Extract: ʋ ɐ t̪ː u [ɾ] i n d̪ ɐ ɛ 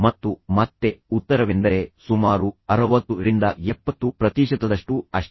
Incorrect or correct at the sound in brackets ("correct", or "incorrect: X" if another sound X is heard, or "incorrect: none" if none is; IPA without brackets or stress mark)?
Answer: correct